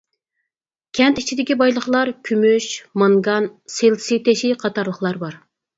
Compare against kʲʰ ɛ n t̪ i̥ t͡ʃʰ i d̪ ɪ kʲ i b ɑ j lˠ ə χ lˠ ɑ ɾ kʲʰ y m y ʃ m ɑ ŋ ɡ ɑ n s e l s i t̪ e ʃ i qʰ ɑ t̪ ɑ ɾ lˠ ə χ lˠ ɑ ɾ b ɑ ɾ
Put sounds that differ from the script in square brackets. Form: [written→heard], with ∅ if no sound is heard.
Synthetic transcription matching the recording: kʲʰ ɛ n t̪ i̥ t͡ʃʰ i d̪ ɪ kʲ i b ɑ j lˠ ə χ lˠ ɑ ɾ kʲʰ y m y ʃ m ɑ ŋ ɡ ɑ n s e l s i t̪ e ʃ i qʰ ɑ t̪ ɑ ɾ lˠ ə χ lˠ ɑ ɾ b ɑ ɾ